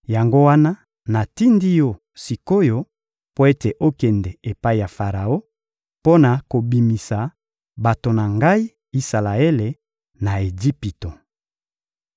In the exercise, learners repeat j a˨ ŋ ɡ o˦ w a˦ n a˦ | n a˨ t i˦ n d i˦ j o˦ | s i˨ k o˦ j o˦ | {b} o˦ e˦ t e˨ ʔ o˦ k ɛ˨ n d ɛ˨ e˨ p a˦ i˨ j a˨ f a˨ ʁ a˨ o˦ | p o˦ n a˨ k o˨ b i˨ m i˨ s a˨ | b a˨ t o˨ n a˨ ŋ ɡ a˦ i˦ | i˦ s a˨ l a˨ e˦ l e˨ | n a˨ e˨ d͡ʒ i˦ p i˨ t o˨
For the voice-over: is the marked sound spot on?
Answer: no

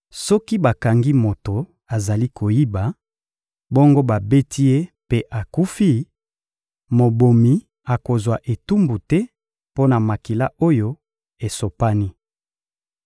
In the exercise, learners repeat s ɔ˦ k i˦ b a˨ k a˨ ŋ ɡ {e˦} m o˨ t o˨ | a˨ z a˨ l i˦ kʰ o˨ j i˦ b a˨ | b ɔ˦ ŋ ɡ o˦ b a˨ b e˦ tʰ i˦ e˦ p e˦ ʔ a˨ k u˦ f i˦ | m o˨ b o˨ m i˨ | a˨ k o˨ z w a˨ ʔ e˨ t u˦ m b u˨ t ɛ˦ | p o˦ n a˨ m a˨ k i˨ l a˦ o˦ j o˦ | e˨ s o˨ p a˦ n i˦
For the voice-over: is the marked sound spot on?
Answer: no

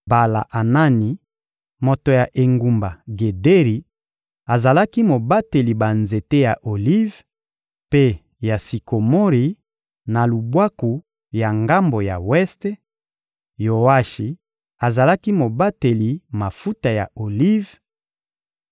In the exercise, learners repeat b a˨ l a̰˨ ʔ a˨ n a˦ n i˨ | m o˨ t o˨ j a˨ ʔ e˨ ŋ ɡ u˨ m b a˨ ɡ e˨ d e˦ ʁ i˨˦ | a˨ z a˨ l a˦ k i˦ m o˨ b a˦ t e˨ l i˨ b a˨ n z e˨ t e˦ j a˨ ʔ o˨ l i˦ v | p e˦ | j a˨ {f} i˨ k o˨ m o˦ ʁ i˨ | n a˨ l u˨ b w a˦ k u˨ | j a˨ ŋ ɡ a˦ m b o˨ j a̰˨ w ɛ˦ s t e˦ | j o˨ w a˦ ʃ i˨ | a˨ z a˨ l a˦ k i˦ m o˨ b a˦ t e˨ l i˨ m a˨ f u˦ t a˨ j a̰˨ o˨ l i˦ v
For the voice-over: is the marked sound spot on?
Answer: no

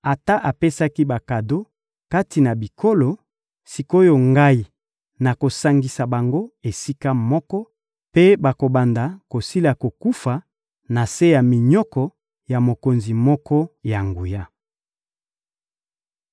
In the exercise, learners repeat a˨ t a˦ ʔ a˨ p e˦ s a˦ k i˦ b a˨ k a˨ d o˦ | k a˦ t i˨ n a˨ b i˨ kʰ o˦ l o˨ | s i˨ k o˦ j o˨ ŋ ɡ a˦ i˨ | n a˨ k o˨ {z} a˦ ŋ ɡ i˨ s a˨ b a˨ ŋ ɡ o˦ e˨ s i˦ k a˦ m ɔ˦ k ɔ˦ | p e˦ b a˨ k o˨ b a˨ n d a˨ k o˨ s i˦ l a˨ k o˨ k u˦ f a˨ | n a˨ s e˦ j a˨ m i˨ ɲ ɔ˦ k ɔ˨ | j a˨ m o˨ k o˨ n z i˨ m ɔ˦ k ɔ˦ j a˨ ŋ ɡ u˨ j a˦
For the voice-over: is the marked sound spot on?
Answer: no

